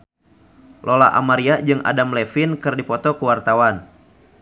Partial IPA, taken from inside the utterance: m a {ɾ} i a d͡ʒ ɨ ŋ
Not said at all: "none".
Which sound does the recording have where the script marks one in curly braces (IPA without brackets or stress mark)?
ɾ